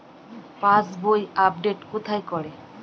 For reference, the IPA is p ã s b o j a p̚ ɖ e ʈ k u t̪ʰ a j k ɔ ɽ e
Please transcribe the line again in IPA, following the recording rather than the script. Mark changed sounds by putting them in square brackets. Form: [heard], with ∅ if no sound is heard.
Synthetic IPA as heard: p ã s b o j a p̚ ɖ e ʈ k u t̪ʰ a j k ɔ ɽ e